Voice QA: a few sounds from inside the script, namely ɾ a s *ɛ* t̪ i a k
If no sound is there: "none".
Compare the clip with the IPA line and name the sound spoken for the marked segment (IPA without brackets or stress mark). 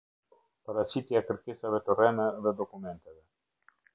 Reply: i